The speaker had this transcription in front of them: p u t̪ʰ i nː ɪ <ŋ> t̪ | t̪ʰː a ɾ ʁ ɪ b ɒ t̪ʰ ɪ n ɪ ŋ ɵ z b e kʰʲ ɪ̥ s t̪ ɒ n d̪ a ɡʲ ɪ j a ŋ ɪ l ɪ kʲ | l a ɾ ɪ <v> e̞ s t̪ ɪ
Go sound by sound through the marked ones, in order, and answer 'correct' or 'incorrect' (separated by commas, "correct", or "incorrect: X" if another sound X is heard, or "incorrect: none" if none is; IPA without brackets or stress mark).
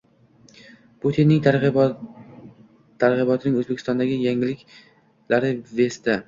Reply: correct, correct